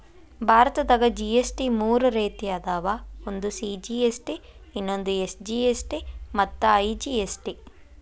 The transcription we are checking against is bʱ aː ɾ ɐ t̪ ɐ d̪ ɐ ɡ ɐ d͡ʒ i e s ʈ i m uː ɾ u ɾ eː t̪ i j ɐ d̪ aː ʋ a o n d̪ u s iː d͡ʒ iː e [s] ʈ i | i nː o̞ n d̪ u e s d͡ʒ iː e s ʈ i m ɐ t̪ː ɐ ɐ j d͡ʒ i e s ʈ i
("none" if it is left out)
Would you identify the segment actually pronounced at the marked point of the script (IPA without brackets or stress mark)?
s